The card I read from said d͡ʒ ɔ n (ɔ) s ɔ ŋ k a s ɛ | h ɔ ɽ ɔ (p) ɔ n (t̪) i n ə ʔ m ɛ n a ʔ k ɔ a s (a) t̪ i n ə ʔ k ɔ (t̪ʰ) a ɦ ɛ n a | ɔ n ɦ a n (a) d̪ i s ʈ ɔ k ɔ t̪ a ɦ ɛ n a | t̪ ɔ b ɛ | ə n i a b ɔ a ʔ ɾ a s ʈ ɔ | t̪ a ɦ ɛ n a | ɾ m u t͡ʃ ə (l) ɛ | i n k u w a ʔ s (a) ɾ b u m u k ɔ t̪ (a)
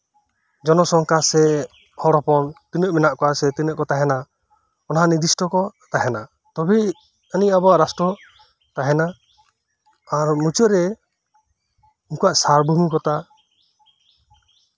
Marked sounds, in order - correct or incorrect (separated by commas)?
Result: correct, correct, correct, incorrect, incorrect, incorrect, incorrect, correct, correct